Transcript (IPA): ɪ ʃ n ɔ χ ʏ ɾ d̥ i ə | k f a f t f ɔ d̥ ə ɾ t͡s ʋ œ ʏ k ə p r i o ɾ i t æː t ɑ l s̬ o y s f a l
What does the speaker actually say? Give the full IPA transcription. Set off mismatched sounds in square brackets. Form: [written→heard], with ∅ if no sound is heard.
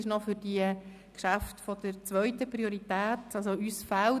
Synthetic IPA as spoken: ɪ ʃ n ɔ [χ→f] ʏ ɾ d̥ i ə | k [f→ʃ] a f t f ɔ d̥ ə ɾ t͡s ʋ œ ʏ [k→t] ə p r i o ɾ i t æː t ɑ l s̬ o y s f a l

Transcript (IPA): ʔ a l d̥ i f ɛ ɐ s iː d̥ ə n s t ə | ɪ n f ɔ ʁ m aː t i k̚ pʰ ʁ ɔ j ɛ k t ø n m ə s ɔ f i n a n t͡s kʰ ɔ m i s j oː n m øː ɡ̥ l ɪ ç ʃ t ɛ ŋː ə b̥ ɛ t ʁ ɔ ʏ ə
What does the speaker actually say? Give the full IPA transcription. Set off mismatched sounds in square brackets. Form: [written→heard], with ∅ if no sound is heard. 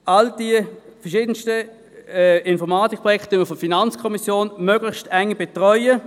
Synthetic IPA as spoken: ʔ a l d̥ i f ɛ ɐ [s→ʃ] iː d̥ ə n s t ə | ɪ n f ɔ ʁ m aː t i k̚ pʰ ʁ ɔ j ɛ k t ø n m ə [s→f] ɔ f i n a n t͡s kʰ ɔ m i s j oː n m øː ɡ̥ l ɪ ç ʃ t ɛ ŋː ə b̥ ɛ t ʁ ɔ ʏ ə

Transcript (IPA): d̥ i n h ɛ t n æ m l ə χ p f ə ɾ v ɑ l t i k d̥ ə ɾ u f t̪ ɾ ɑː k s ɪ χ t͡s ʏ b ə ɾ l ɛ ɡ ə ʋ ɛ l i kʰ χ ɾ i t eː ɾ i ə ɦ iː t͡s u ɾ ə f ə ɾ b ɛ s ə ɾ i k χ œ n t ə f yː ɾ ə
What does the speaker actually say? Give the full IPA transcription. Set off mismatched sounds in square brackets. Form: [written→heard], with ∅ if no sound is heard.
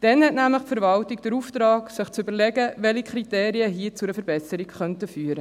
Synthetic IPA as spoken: d̥ [i→ɛ] n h ɛ t n æ m l ə χ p f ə ɾ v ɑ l t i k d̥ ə ɾ u f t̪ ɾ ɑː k s ɪ χ t͡s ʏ b ə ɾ l ɛ ɡ ə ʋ ɛ l i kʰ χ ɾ i t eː ɾ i ə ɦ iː t͡s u ɾ ə f ə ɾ b ɛ s ə ɾ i k χ œ n t ə f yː ɾ ə

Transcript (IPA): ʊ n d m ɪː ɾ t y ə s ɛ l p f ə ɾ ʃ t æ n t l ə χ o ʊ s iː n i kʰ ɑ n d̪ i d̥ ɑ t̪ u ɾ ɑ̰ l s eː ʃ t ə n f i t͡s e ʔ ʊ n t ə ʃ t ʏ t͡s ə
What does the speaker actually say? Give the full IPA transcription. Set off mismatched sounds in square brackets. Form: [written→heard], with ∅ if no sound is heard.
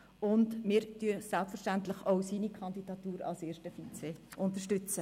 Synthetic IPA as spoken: ʊ n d m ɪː ɾ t y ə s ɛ l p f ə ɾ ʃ t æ n t l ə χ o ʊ s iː n i kʰ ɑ n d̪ i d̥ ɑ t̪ [u→uː] ɾ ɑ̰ l s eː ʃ t ə [n→∅] f i t͡s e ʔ ʊ n t ə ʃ t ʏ t͡s ə

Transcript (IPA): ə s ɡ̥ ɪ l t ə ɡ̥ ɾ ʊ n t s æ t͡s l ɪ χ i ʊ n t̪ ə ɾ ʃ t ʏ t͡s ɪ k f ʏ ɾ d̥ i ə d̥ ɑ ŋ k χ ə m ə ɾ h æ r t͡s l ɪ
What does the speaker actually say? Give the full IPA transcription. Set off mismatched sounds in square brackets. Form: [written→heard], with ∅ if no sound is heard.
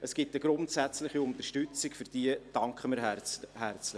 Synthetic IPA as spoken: ə s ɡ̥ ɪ [l→∅] t ə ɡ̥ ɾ ʊ n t s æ t͡s l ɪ χ i ʊ n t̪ ə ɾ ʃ t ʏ t͡s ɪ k f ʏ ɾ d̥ i ə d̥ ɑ ŋ k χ ə m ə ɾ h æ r t͡s l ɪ

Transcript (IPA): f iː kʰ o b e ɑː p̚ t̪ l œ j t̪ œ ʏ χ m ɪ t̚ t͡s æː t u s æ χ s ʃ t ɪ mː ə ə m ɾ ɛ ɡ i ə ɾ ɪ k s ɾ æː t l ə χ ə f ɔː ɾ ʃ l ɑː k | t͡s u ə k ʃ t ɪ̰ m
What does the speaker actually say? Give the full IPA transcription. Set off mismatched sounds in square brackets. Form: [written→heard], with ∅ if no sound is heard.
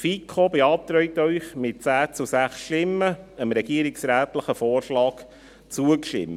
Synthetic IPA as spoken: f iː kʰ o b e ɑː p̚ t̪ [l→ɾ] œ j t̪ œ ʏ χ m ɪ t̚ t͡s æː [t→t͡s] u s æ χ s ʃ t ɪ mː ə ə m ɾ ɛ ɡ i ə ɾ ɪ k s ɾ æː t l ə χ ə f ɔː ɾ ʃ l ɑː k | t͡s u ə k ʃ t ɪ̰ m

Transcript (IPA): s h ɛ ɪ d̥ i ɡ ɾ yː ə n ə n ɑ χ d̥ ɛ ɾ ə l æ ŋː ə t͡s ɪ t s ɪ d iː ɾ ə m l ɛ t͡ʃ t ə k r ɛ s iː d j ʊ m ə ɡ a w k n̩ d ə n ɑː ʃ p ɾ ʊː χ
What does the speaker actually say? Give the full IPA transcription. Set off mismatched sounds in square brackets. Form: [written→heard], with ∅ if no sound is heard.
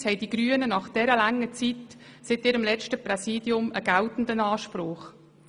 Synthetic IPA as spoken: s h ɛ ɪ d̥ i ɡ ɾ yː ə n ə n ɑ χ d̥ ɛ ɾ ə l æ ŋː ə t͡s [ɪ→i] t s ɪ [d→t] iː ɾ ə m l ɛ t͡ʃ t ə [k→p] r ɛ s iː d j ʊ m ə ɡ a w [k→t] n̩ d ə n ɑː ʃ p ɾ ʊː χ

